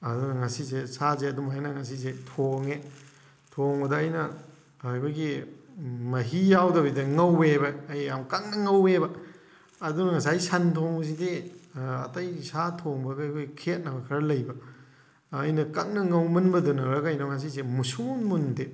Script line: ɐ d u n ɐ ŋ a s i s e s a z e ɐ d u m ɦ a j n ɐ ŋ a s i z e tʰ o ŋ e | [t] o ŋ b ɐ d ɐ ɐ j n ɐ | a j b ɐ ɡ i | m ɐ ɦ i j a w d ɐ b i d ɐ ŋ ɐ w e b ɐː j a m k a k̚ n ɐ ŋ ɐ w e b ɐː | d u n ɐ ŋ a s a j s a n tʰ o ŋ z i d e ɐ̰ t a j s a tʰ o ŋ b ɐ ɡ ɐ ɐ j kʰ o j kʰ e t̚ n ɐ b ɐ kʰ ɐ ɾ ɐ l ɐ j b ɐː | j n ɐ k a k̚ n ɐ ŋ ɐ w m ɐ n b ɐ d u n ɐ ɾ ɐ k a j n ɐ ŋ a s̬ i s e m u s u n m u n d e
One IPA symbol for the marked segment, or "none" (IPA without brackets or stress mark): tʰ